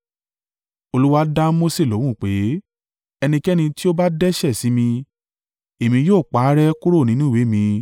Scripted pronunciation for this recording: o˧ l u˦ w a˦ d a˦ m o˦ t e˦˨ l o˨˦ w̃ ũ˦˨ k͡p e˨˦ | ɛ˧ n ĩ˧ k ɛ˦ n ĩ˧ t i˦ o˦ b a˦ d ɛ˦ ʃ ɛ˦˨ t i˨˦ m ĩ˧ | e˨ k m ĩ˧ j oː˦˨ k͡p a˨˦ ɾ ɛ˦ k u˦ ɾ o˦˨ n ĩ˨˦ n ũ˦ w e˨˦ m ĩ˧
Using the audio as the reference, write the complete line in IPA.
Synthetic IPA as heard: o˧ l u˦ w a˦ d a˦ m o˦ s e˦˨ l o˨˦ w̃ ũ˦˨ k͡p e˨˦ | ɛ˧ n ĩ˧ k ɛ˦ n ĩ˧ t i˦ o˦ b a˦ d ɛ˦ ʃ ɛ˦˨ s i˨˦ m ĩ˧ | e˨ m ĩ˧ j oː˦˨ k͡p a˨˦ ɾ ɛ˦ k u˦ ɾ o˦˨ n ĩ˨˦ n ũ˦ w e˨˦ m ĩ˧